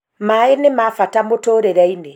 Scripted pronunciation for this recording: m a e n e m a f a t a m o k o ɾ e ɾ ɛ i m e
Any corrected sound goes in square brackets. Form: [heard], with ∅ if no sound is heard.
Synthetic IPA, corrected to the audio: m a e n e m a f a t a m o [t] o ɾ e ɾ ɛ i [n] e